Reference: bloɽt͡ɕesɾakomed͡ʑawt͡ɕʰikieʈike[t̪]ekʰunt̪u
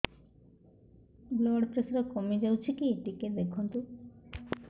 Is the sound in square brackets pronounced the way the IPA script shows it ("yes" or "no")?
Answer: no